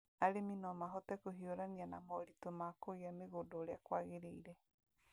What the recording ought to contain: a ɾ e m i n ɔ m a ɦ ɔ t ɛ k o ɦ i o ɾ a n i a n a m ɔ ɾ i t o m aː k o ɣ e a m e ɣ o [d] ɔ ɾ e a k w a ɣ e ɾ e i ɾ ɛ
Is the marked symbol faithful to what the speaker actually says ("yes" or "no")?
yes